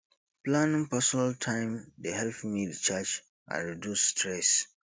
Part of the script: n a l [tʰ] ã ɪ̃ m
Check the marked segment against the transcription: correct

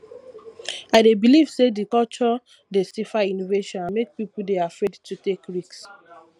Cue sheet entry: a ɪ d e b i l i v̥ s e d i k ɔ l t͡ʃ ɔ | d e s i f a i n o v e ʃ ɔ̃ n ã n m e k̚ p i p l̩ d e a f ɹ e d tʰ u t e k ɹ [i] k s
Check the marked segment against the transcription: correct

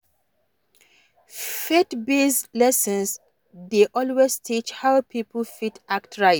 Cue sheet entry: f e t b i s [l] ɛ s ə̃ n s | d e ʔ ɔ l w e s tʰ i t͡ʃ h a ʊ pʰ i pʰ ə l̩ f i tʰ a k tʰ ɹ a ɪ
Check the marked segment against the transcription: correct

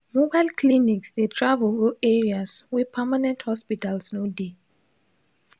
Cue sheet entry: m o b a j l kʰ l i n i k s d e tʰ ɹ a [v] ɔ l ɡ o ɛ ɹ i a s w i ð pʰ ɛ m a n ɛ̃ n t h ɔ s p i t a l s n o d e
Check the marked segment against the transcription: correct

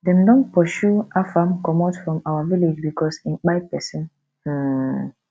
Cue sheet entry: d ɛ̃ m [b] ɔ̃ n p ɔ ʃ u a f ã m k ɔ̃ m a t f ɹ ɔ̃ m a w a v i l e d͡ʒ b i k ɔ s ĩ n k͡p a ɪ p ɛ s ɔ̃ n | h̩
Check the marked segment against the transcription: incorrect: d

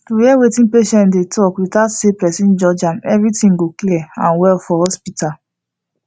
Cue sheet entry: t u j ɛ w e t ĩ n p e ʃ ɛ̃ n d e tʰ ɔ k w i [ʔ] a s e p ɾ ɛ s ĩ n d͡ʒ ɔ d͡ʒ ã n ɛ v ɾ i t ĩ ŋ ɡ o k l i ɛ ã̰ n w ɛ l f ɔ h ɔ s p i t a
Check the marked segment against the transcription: incorrect: t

